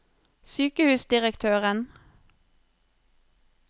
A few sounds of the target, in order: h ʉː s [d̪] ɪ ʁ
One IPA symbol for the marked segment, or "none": d̪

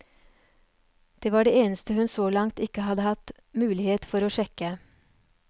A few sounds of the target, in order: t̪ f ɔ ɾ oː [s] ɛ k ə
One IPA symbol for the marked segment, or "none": ʃ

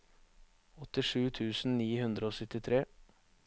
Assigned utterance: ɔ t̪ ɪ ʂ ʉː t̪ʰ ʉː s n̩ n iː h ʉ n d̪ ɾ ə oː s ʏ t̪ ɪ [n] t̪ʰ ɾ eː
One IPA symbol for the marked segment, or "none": none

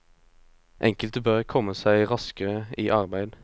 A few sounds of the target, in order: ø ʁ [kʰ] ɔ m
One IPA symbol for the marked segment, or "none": kʰ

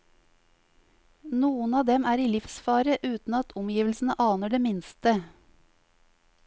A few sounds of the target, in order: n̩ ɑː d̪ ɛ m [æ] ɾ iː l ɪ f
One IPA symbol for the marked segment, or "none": æː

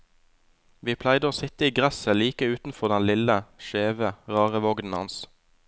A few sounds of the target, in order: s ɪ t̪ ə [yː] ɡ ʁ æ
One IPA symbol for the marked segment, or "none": iː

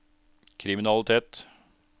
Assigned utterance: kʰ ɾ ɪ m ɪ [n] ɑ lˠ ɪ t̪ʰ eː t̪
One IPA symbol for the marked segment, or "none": n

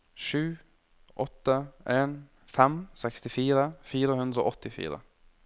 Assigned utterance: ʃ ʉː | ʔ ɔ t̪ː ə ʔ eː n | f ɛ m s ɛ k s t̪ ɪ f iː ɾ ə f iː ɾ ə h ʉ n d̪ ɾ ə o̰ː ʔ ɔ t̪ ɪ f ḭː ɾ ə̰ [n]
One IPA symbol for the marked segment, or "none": none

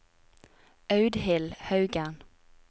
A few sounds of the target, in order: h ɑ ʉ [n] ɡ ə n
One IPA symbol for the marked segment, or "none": none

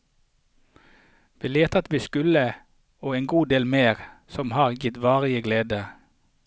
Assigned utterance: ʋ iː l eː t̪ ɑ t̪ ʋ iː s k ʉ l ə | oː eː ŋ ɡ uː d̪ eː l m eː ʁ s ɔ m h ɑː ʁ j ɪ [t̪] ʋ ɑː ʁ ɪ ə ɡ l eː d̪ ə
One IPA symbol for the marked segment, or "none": t̪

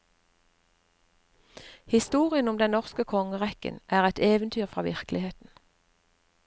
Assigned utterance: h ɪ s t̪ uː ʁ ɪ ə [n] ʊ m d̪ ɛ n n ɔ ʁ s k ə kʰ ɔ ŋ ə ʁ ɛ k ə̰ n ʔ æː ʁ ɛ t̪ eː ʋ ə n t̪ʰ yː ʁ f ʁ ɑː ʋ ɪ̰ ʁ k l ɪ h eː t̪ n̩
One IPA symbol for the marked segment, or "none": n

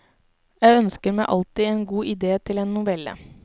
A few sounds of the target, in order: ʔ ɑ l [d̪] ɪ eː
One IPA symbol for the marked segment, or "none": t̪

